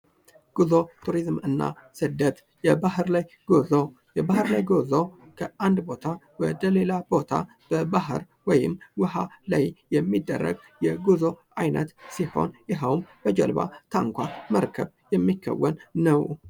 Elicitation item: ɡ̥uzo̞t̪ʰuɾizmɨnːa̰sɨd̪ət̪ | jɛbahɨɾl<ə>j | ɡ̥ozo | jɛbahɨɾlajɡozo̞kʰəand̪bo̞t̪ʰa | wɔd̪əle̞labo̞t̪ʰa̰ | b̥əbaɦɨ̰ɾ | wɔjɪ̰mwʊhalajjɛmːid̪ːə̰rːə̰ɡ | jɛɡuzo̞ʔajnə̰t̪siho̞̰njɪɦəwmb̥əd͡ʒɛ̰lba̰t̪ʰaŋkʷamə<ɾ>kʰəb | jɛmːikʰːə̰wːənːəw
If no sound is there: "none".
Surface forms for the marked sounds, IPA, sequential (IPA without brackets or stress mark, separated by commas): a, ɾ